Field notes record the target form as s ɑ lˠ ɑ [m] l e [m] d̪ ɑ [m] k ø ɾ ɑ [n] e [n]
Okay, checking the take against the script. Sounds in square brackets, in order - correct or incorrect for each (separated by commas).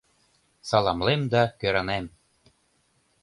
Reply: correct, correct, incorrect, correct, incorrect